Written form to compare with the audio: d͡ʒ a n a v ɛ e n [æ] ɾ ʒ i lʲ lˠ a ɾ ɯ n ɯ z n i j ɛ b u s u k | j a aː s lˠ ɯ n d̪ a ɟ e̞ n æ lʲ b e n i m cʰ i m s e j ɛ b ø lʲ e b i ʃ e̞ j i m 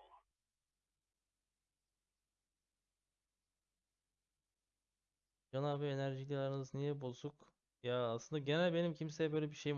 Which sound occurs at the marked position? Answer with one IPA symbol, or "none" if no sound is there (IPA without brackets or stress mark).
æ